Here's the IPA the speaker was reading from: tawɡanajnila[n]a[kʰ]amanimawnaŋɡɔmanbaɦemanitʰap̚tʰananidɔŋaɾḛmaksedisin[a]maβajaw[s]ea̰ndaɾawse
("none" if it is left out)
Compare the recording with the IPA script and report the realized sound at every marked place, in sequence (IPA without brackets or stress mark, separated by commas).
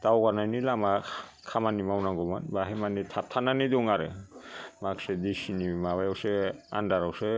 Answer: m, kʰ, i, s